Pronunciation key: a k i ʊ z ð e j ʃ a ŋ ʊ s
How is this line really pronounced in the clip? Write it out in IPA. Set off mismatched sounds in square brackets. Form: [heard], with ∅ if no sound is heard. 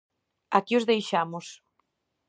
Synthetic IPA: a k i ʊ z ð e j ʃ a [m] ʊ s